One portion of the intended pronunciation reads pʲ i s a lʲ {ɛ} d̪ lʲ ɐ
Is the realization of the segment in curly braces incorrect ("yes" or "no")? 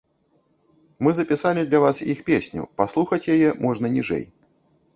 yes